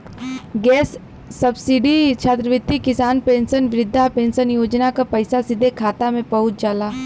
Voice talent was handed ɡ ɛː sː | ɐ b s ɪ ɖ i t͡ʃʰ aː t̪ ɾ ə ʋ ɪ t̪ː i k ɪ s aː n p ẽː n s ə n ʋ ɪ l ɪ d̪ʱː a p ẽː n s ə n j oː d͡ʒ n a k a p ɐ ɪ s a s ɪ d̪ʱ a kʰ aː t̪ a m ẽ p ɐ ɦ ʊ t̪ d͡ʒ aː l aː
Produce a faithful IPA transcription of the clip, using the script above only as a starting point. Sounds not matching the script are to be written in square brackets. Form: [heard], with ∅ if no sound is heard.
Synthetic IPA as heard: ɡ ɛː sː | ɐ b s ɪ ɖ i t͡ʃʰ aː t̪ ɾ ə ʋ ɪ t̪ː i k ɪ s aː n p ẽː n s ə n ʋ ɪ [ɾ] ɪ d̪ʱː a p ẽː n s ə n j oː d͡ʒ n a k a p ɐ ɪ s a s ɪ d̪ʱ [e] kʰ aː t̪ a m ẽ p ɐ ɦ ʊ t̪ d͡ʒ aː l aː